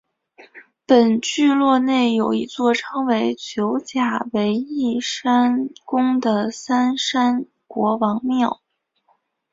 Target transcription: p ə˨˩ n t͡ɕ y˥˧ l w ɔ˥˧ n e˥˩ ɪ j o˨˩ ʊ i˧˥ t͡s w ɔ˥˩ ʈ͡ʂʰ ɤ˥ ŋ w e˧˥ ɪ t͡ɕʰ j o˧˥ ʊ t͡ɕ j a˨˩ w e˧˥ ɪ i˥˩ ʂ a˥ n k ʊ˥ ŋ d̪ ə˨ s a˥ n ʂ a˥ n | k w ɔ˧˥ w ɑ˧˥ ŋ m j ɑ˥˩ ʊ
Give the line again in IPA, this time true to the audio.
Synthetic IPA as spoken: p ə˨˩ n t͡ɕ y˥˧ l w ɔ˥˧ n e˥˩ ɪ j o˨˩ ʊ i˧˥ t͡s w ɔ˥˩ ʈ͡ʂʰ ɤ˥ ŋ w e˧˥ ɪ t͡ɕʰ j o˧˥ ʊ t͡ɕ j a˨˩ w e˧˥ ɪ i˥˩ ʂ a˥ n k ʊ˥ ŋ d̪ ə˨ s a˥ n ʂ a˥ n | k w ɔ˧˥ w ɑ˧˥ ŋ m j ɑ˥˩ ʊ

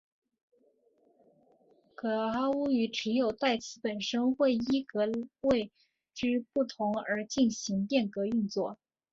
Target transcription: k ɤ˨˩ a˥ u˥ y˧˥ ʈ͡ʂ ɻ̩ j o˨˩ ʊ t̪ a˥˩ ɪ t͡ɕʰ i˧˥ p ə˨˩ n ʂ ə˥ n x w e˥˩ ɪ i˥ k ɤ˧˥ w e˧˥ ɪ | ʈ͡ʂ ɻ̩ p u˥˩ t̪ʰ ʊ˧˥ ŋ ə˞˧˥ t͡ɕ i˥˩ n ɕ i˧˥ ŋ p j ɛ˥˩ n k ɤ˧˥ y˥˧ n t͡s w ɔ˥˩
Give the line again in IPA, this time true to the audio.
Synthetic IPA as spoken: k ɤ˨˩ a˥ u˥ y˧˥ ʈ͡ʂ ɻ̩ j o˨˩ ʊ t̪ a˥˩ ɪ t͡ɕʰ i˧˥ p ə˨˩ n ʂ ə˥ n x w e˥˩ ɪ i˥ k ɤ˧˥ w e˥˧ ɪ | ʈ͡ʂ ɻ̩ p u˥˩ t̪ʰ ʊ˧˥ ŋ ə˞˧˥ t͡ɕ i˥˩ n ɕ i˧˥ ŋ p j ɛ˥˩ n k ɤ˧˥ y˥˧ n t͡s w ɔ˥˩

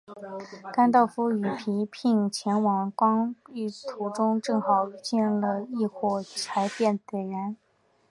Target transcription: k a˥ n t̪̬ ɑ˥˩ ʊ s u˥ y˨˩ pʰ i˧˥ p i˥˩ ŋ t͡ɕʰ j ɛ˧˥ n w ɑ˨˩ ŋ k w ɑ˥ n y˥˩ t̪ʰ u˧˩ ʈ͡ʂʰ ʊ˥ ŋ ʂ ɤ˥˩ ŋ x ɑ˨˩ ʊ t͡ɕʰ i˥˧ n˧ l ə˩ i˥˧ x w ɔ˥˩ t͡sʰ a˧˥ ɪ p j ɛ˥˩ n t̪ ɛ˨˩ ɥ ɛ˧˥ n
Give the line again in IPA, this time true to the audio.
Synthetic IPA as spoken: k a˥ n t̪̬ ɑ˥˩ ʊ f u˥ y˨˩ pʰ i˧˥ pʰ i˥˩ ŋ t͡ɕʰ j ɛ˧˥ n w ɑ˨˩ ŋ k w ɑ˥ ŋ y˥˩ t̪ʰ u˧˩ ʈ͡ʂ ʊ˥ ŋ ʈ͡ʂ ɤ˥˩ ŋ x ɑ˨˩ ʊ t͡ɕ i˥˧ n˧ l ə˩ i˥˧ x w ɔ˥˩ t͡sʰ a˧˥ ɪ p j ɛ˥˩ n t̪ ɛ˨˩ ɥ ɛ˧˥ n

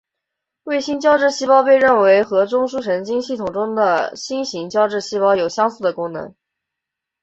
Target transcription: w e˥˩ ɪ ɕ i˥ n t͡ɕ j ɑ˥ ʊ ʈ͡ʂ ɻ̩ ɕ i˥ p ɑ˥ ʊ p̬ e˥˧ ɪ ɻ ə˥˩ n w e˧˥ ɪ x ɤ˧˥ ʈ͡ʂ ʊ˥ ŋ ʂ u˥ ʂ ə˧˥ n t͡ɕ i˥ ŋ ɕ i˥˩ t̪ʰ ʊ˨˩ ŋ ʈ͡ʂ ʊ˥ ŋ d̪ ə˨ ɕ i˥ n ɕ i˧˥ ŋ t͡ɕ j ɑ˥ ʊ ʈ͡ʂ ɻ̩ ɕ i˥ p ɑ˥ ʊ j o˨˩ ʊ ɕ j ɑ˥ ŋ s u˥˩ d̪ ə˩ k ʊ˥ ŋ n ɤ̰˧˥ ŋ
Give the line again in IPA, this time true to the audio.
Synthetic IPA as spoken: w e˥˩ ɪ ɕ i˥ n t͡ɕ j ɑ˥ ʊ ʈ͡ʂ ɻ̩ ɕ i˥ p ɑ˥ ʊ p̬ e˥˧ ɪ ɻ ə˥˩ n w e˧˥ ɪ x ɤ˧˥ ʈ͡ʂ ʊ˥ ŋ ʂ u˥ ʂ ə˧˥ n t͡ɕ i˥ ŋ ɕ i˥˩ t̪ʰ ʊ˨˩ ŋ ʈ͡ʂ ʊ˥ ŋ d̪ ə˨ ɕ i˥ n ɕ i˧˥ ŋ t͡ɕ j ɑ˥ ʊ ʈ͡ʂ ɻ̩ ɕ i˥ p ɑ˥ ʊ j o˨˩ ʊ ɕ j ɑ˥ ŋ s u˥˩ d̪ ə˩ k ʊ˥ ŋ n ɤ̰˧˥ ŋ

